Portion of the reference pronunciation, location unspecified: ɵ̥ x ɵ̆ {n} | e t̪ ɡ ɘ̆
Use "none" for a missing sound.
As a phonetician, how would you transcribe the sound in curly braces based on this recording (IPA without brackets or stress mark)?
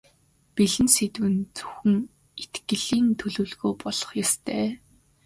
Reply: ŋ